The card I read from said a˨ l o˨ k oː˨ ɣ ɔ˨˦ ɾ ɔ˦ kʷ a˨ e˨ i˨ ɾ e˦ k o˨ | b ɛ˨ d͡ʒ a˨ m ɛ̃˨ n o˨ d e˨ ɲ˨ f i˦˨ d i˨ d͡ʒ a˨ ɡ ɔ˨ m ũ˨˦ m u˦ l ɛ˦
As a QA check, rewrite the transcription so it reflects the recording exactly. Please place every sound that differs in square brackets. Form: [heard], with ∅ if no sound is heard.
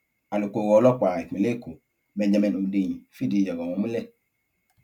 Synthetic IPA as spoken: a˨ l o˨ k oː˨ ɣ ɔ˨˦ [l] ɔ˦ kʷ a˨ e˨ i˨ [l] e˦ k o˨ | b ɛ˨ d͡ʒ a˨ m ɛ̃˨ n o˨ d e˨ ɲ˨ f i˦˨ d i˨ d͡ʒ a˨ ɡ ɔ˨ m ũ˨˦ m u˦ l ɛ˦

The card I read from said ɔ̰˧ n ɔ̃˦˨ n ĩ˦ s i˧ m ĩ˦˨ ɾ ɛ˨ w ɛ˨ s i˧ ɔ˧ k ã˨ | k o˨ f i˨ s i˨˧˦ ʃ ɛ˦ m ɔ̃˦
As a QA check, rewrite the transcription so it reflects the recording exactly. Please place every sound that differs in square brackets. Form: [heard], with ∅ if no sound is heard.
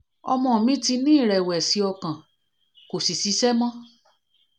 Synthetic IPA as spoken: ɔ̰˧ [m] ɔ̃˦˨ [m] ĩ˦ [t] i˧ [n] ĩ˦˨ ɾ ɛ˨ w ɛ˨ s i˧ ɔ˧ k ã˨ | k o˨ [s] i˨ s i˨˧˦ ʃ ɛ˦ m ɔ̃˦

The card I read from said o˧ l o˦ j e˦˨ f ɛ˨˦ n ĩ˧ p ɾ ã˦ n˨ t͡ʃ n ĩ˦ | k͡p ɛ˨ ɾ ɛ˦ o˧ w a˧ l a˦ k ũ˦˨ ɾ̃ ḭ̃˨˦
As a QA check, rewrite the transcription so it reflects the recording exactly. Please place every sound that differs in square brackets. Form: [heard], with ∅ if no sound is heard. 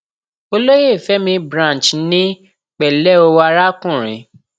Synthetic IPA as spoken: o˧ l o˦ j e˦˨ f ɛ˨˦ [m] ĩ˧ [b] ɾ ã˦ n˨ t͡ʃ n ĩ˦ | k͡p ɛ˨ [l] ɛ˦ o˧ w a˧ [ɾ] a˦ k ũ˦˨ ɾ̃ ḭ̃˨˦

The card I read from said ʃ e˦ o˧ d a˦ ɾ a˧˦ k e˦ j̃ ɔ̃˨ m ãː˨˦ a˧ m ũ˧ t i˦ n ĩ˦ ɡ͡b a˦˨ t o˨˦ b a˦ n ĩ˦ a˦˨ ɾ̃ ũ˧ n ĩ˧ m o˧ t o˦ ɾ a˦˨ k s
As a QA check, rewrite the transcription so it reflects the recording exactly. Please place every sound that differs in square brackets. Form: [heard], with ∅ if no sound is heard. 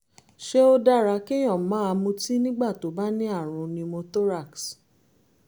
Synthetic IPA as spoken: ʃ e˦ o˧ d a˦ ɾ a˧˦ k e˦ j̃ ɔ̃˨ m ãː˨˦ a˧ m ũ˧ t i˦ n ĩ˦ ɡ͡b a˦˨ t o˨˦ b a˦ n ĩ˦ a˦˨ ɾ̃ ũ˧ n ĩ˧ m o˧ t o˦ ɾ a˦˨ k s

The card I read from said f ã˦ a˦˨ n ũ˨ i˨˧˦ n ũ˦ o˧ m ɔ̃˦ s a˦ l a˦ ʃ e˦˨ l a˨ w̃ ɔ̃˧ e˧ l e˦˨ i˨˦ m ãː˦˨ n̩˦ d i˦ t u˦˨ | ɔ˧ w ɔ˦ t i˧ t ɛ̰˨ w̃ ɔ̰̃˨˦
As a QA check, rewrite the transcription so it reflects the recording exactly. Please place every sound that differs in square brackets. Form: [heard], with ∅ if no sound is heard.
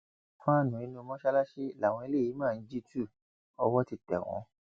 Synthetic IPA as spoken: f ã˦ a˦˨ n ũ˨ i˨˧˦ n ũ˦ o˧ m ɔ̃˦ [ʃ] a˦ l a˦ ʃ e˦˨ l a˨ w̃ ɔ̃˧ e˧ l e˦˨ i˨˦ m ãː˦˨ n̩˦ [d͡ʒ] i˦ t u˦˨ | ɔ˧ w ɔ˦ t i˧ t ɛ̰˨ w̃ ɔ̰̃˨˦

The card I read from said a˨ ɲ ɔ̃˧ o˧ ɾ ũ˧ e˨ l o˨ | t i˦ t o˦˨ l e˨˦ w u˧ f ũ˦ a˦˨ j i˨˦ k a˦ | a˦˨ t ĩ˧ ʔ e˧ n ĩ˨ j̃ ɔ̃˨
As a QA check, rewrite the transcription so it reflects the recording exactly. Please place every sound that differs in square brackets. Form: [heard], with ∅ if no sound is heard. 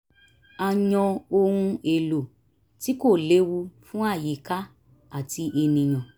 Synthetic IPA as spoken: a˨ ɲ ɔ̃˧ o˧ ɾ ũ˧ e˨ l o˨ | t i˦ [k] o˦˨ l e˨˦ w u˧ f ũ˦ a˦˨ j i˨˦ k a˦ | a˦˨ t [i˧] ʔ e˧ n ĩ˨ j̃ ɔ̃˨

